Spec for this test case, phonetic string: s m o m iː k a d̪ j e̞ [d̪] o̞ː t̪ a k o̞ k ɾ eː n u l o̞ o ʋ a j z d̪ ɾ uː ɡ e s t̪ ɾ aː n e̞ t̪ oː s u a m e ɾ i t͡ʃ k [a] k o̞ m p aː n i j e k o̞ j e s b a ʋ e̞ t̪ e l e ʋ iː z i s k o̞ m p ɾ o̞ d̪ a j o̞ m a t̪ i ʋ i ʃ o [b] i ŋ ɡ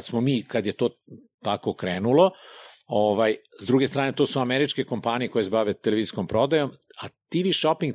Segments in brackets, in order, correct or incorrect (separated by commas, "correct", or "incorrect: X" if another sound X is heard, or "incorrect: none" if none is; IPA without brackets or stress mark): incorrect: t̪, incorrect: e, incorrect: p